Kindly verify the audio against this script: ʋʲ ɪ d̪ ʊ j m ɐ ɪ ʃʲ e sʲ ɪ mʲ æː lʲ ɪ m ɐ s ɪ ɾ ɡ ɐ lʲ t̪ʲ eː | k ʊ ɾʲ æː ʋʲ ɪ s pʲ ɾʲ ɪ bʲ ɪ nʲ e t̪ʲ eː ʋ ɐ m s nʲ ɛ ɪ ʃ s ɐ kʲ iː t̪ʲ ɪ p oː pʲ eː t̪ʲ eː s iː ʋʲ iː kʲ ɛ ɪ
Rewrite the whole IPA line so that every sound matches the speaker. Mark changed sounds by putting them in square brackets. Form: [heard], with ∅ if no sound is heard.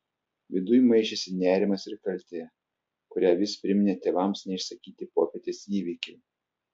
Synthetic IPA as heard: ʋʲ ɪ d̪ ʊ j m ɐ ɪ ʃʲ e sʲ ɪ [nʲ] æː [ɾʲ] ɪ m ɐ s ɪ ɾ [k] ɐ lʲ t̪ʲ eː | k ʊ ɾʲ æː ʋʲ ɪ s pʲ ɾʲ ɪ [mʲ] ɪ nʲ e t̪ʲ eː ʋ ɐ m s nʲ ɛ ɪ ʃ s ɐ kʲ iː t̪ʲ ɪ p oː pʲ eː t̪ʲ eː s iː ʋʲ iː kʲ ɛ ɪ